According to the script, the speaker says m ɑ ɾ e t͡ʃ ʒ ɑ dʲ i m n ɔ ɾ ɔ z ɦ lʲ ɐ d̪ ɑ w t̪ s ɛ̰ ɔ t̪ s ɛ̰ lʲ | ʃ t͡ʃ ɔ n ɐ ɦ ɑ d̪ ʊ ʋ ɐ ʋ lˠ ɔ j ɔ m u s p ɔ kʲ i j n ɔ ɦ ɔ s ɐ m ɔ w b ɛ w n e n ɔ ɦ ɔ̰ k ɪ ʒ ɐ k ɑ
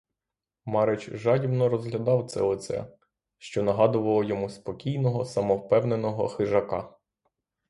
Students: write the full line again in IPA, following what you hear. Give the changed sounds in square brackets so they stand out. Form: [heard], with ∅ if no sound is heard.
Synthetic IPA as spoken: m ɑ ɾ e t͡ʃ ʒ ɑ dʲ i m n ɔ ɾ ɔ z ɦ lʲ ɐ d̪ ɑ w t̪ s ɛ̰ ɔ t̪ s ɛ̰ [∅] | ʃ t͡ʃ ɔ n ɐ ɦ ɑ d̪ ʊ ʋ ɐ [∅] lˠ ɔ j ɔ m u s p ɔ kʲ i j n ɔ ɦ ɔ s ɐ m ɔ w [p] ɛ w n e n ɔ ɦ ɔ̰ [x] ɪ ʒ ɐ k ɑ